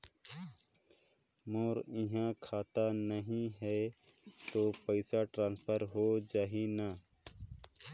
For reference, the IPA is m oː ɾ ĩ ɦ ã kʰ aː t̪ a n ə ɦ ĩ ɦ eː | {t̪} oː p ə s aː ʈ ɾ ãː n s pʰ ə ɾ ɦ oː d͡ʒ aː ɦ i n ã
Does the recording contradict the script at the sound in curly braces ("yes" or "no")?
no